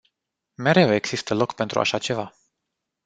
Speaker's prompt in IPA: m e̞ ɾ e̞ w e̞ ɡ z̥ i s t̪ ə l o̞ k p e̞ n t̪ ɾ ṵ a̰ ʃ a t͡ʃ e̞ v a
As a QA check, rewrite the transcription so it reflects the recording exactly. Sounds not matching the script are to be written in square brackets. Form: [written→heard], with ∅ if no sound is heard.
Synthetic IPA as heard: m e̞ ɾ e̞ w e̞ ɡ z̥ i s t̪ ə l o̞ k p e̞ n t̪ ɾ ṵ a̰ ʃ a t͡ʃ e̞ v a